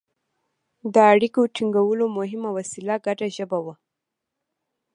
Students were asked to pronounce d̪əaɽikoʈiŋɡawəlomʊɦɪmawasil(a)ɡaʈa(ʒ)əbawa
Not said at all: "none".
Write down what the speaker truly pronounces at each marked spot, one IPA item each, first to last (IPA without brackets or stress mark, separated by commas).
a, ʒ